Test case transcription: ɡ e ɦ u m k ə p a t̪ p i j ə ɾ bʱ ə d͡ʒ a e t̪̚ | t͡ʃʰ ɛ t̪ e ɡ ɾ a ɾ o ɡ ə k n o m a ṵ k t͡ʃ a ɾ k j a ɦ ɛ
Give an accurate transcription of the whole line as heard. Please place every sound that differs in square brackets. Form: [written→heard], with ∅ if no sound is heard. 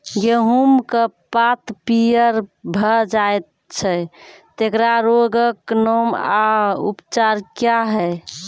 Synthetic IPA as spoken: ɡ e ɦ u m k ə p a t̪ p i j ə ɾ bʱ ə d͡ʒ a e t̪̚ | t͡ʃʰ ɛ t̪ e [ɡ→k] ɾ a ɾ o ɡ ə k n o m a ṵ [k→p] t͡ʃ a ɾ k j a ɦ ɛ